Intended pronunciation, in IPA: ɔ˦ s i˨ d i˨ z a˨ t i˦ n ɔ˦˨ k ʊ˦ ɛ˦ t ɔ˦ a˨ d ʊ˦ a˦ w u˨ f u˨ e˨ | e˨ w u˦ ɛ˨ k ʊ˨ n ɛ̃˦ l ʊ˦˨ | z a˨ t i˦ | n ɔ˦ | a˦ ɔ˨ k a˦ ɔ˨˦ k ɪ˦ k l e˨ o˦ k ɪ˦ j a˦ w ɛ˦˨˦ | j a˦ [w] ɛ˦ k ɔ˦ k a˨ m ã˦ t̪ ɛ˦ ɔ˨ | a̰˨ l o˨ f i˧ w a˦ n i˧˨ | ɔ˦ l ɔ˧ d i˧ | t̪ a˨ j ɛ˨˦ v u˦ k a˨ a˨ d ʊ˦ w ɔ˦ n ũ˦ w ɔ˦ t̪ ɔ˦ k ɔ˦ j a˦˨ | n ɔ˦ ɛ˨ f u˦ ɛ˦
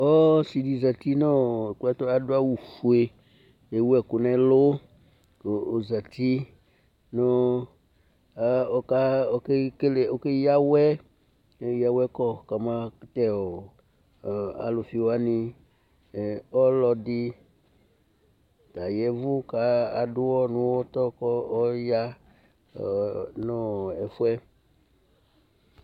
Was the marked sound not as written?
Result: no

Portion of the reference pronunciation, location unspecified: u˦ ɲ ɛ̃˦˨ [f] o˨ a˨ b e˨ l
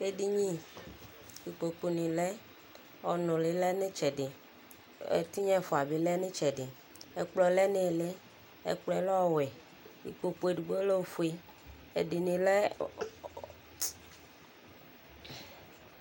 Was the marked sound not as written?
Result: no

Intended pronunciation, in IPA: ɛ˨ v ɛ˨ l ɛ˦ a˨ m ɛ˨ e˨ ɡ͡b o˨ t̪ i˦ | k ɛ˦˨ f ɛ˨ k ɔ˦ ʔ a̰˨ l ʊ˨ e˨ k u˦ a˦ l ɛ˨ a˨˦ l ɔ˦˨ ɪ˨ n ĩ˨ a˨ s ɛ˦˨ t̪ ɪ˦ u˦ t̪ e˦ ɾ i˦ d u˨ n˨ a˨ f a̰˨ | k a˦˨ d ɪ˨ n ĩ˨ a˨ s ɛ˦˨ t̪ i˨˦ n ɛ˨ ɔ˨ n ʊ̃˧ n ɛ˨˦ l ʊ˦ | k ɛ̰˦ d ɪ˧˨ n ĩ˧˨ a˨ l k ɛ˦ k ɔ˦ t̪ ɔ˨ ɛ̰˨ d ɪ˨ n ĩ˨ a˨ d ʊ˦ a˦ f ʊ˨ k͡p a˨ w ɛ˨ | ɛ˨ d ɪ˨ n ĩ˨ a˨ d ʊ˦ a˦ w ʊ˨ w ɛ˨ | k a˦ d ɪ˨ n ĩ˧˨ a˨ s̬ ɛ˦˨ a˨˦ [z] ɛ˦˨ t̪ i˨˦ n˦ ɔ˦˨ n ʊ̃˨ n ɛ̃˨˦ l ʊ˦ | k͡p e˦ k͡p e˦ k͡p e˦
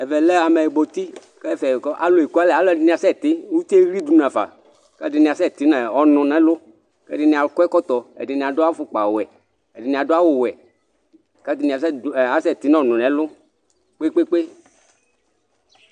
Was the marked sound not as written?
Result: yes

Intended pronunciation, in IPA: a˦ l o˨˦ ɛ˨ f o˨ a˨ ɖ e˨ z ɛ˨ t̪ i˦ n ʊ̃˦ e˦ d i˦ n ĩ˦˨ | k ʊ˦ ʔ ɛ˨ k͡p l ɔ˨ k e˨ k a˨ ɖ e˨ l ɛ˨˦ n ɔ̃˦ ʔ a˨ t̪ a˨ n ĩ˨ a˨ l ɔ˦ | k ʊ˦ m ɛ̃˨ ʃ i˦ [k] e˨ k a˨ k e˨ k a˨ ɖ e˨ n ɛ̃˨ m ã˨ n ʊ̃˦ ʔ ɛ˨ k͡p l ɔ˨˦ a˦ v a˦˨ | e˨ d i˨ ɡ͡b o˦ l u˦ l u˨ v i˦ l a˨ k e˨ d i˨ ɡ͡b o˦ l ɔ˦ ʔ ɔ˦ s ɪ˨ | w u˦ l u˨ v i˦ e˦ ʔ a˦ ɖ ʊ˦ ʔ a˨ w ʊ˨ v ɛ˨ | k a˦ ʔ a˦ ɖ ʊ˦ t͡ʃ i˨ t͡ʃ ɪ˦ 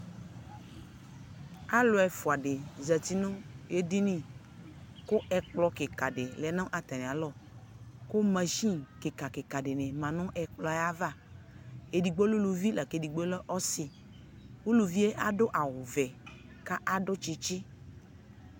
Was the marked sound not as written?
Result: no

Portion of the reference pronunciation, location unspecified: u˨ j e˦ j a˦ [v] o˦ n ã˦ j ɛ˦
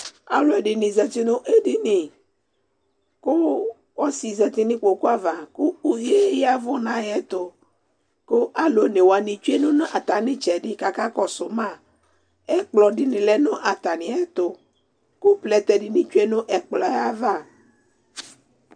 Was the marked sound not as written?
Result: no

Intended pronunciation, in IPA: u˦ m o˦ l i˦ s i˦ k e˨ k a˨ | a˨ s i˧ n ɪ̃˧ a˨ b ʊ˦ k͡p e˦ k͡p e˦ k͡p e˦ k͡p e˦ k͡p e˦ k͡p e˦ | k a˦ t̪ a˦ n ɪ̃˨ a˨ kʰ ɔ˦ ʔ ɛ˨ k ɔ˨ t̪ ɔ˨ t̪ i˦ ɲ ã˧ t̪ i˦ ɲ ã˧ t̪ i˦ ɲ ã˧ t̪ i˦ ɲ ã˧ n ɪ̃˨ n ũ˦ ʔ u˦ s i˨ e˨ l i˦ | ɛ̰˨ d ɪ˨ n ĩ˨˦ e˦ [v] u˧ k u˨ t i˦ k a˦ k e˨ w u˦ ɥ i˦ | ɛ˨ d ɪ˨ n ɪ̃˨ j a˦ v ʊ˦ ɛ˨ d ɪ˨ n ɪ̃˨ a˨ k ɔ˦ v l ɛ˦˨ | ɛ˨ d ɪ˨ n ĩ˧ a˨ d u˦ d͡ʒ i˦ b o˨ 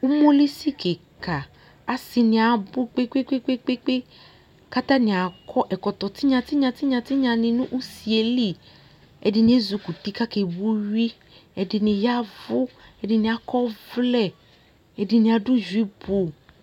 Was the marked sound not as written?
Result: yes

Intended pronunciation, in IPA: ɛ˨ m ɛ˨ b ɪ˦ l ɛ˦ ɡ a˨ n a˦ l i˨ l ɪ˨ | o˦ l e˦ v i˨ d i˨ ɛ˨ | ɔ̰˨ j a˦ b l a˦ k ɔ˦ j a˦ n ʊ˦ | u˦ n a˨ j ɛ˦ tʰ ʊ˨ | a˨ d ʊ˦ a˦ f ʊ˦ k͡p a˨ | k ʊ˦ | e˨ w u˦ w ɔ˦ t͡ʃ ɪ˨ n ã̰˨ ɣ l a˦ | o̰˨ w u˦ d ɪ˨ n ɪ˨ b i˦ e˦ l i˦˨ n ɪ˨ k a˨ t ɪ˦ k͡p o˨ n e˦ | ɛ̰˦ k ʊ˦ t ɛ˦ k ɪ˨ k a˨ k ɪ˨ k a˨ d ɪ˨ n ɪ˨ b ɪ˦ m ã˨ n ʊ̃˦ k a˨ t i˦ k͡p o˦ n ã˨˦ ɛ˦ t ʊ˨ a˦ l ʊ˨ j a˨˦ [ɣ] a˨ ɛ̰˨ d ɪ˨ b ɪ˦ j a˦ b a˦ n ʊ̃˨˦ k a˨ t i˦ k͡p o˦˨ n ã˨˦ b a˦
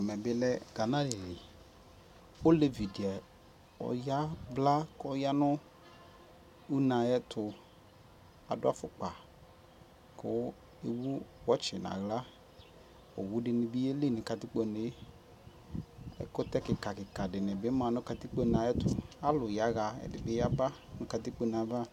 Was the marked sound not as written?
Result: no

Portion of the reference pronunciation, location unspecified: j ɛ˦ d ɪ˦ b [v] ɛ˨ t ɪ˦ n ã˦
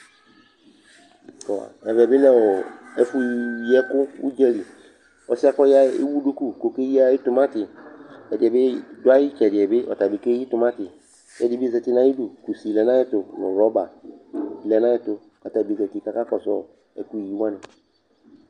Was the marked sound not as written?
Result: yes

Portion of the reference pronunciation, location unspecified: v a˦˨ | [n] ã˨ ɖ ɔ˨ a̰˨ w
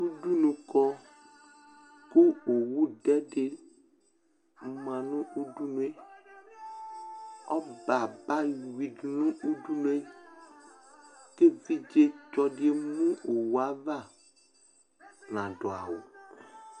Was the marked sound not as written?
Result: no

